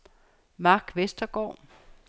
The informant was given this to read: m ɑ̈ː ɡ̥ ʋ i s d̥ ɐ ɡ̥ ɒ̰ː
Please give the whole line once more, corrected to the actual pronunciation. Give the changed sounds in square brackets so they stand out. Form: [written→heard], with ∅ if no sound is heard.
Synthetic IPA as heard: m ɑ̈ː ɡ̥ ʋ [i→e] s d̥ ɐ ɡ̥ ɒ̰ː